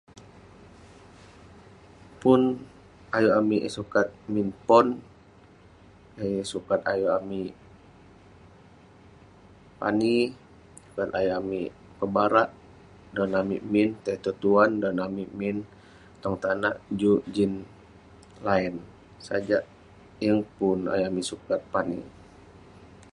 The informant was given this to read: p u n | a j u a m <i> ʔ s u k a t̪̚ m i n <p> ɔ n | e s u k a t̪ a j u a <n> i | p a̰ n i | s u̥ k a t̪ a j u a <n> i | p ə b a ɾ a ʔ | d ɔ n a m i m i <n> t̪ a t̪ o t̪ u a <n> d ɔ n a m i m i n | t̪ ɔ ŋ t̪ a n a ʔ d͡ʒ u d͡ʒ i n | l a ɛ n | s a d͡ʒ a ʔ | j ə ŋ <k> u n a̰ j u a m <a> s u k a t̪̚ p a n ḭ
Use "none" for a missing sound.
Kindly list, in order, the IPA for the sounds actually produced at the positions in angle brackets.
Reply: i, p, m, m, n, n, p, i

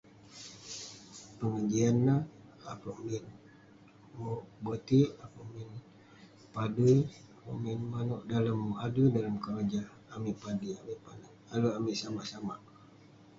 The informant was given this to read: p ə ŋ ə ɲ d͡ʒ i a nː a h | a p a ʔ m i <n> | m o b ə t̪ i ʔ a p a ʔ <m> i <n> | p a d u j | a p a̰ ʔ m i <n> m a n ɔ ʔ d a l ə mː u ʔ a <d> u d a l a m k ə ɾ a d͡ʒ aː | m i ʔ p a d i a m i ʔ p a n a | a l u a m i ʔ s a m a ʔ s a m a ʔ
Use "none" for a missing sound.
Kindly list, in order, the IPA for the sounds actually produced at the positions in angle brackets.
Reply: n, m, n, n, d

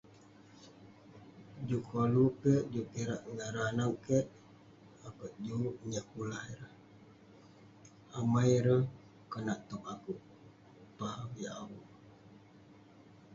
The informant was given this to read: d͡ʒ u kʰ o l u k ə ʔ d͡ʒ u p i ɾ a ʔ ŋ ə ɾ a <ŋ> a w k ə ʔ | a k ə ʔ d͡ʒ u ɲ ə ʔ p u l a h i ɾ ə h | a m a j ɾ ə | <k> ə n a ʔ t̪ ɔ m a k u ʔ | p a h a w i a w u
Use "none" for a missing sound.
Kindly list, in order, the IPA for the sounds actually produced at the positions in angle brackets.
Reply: n, k

